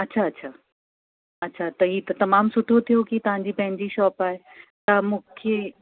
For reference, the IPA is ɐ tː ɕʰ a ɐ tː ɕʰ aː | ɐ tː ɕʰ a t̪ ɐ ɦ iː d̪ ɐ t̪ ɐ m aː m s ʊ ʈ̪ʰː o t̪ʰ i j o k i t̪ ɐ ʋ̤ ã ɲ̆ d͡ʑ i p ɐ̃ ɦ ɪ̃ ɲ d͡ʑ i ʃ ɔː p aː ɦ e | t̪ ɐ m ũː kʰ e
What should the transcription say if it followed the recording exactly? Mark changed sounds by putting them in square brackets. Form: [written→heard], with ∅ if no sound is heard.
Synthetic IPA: ɐ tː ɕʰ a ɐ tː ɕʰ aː | ɐ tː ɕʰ a t̪ ɐ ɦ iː [d̪→t̪] ɐ t̪ ɐ m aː m s ʊ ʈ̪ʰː o t̪ʰ i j o k i t̪ ɐ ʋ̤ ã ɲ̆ d͡ʑ i p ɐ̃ ɦ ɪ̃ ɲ d͡ʑ i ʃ ɔː p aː ɦ e | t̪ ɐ m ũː kʰ e

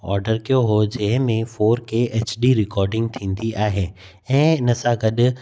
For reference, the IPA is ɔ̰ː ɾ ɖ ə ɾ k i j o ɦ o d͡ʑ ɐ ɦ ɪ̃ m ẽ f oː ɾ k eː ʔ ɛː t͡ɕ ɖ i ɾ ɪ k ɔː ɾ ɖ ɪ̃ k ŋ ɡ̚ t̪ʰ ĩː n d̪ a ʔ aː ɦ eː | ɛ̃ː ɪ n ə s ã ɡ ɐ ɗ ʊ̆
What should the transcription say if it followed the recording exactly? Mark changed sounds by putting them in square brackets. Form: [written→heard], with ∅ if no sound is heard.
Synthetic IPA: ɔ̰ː ɾ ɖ ə ɾ k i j o ɦ o d͡ʑ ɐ ɦ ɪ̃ m ẽ f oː ɾ k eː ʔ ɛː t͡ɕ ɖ i ɾ ɪ k ɔː ɾ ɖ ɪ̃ [k→∅] ŋ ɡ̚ t̪ʰ ĩː n d̪ [a→i] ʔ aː ɦ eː | ɛ̃ː ɪ n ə s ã ɡ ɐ ɗ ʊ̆

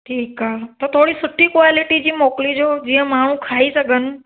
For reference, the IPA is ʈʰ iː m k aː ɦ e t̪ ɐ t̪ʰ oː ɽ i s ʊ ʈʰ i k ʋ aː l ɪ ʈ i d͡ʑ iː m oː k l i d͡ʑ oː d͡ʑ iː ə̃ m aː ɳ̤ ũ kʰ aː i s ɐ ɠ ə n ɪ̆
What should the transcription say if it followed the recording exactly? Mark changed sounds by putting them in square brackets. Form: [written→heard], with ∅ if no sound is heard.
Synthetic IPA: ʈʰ iː [m→∅] k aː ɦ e t̪ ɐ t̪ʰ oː ɽ i s ʊ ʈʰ i k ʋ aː l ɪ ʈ i d͡ʑ iː m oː k l i d͡ʑ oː d͡ʑ iː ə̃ m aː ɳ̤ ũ kʰ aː i s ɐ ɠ ə n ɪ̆

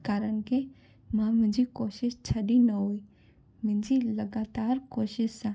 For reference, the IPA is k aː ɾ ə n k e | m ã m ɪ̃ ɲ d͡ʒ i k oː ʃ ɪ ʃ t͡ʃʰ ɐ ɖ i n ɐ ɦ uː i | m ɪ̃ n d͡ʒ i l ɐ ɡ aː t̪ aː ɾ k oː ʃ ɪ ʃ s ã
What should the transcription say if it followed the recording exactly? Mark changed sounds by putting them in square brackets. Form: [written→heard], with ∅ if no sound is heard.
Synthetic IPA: k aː ɾ ə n k e | m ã m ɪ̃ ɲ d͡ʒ i k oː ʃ ɪ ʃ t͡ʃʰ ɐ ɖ i n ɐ ɦ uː i | m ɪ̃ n d͡ʒ i l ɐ ɡ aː t̪ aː ɾ k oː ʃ ɪ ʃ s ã

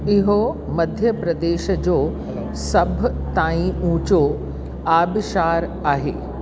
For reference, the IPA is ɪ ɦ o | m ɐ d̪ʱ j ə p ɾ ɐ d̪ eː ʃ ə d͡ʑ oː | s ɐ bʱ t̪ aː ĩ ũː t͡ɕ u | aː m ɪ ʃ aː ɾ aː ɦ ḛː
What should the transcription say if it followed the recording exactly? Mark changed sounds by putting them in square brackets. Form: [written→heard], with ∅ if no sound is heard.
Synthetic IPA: ɪ ɦ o | m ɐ d̪ʱ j ə p ɾ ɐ d̪ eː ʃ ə d͡ʑ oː | s ɐ bʱ t̪ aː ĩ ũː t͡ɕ [u→o] | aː [m→b] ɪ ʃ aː ɾ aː ɦ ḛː

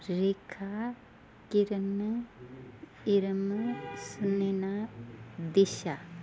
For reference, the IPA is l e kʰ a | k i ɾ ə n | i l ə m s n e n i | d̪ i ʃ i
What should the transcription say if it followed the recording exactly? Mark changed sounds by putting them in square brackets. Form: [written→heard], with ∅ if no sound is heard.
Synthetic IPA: [l→ɾ] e kʰ a | k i ɾ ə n | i [l→ɾ] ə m s n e n [i→a] | d̪ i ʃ [i→a]

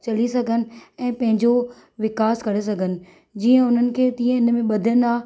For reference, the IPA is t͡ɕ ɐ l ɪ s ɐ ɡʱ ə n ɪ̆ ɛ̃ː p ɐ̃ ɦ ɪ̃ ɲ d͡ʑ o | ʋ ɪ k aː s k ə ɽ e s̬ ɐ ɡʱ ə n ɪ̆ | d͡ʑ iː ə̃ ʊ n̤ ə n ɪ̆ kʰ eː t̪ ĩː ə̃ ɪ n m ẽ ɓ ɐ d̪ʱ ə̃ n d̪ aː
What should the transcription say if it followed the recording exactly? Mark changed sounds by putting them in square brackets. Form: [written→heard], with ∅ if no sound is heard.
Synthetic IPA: t͡ɕ ɐ l [ɪ→i] s ɐ ɡʱ ə n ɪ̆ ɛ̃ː p ɐ̃ ɦ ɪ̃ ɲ d͡ʑ o | ʋ ɪ k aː s k [ə→ɐ] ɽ e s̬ ɐ ɡʱ ə n ɪ̆ | d͡ʑ iː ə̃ ʊ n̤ ə n ɪ̆ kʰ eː t̪ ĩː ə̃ ɪ n m ẽ ɓ ɐ d̪ʱ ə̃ n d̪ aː

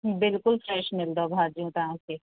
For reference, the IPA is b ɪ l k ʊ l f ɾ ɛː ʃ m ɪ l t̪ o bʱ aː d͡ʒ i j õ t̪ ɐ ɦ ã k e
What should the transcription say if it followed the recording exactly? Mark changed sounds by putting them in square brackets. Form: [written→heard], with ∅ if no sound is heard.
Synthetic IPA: b ɪ l k ʊ l f ɾ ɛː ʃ m ɪ l [t̪→d̪] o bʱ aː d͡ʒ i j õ t̪ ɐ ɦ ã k e

